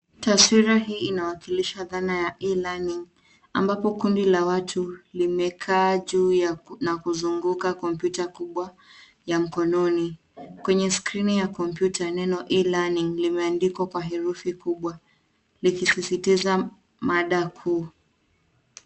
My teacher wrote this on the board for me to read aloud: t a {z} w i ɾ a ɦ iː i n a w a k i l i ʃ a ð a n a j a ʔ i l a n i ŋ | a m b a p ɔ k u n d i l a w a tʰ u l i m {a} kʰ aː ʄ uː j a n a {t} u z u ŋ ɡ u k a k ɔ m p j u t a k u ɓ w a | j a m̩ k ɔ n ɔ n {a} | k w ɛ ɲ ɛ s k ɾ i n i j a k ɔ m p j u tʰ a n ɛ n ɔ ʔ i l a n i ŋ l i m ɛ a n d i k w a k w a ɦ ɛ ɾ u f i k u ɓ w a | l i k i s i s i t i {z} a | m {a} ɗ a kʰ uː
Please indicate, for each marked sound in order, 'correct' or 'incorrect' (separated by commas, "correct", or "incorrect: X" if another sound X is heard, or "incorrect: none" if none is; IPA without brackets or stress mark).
incorrect: s, incorrect: ɛ, incorrect: k, incorrect: i, correct, correct